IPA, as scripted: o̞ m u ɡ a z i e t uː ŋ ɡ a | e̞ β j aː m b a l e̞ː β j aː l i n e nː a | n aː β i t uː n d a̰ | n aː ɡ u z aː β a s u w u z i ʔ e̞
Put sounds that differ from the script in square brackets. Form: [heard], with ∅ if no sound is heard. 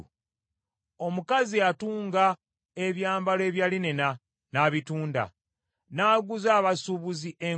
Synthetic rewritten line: o̞ m u [k] a z i [a] t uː ŋ ɡ a | e̞ β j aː m b a l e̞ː β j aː l i n e [n] a | n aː β i t uː n d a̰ | n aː ɡ u z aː β a s u [β] u z i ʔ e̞